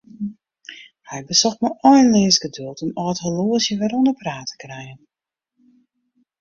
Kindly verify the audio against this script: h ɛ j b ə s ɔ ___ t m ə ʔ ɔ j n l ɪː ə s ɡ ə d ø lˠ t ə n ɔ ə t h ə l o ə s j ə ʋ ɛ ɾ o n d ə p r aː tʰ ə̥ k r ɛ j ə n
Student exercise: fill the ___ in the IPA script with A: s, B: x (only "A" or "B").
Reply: B